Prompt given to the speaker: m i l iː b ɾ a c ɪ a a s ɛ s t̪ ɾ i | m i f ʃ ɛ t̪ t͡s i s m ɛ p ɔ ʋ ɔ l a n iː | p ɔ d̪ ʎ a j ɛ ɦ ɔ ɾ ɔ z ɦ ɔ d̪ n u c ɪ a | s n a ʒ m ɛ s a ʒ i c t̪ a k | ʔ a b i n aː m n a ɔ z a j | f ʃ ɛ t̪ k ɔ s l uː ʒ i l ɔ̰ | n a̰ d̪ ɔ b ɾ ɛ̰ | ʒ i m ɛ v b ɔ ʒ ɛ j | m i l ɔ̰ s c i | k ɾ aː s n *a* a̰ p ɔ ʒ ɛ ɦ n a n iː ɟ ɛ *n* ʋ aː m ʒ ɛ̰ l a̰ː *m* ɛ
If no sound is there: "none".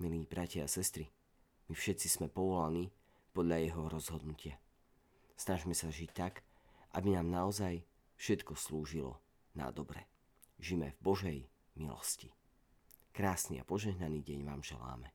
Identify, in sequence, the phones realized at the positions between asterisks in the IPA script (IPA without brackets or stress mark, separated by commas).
i, ɲ, m